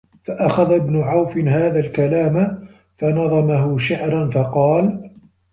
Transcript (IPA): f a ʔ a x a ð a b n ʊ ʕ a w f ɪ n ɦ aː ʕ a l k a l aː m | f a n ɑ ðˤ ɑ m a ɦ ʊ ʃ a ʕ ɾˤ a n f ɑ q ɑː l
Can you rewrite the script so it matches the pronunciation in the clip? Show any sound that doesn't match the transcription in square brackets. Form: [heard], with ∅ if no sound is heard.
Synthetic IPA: f a ʔ a x a ð a b n ʊ ʕ a w f ɪ n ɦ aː [ð] a l k a l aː m | f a n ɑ ðˤ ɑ m a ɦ ʊ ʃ a ʕ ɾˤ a n f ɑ q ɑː l